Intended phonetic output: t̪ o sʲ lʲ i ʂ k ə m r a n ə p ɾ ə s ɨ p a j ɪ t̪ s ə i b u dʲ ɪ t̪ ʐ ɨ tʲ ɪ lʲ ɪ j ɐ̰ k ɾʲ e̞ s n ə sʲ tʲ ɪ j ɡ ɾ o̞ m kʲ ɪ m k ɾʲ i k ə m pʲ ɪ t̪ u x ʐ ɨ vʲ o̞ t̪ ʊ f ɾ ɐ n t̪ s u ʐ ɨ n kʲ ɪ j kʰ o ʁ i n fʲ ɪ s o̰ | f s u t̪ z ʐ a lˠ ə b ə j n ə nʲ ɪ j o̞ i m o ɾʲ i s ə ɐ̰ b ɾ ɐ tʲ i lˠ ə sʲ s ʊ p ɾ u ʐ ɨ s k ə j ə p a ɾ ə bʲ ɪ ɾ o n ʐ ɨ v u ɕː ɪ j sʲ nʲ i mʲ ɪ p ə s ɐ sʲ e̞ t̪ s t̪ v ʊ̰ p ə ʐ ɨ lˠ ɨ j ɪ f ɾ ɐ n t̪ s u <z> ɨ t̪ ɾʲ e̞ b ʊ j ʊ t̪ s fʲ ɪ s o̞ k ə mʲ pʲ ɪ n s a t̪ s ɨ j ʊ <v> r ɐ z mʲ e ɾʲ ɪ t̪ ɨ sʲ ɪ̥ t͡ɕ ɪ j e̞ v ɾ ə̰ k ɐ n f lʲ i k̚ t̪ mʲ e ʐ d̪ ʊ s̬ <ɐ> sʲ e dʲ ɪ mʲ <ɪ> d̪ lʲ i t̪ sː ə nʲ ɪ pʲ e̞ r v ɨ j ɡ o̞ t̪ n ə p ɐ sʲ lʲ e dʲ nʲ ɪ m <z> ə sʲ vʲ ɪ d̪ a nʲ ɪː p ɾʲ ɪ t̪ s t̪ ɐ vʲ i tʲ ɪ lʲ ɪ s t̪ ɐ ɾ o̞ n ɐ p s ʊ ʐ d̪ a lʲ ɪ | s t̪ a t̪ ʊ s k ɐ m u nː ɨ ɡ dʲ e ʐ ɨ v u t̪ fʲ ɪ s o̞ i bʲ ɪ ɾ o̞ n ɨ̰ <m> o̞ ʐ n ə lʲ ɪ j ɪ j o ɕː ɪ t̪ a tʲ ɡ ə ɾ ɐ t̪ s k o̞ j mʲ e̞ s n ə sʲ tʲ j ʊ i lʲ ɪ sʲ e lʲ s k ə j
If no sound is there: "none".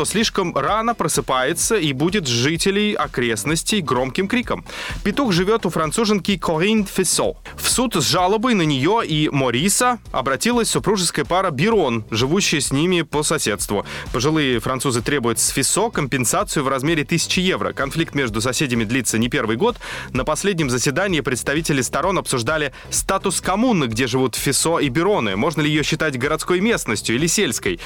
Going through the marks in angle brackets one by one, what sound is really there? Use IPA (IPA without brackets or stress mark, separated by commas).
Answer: z, v, ɐ, ɪ, z, m